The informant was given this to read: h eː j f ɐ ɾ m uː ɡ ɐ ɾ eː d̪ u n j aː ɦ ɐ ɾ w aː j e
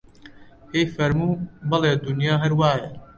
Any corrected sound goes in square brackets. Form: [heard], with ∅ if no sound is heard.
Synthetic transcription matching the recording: h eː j f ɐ ɾ m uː [b] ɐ [l] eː d̪ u n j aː ɦ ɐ ɾ w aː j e